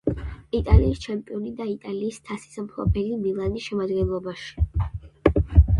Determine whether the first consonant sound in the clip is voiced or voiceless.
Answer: voiceless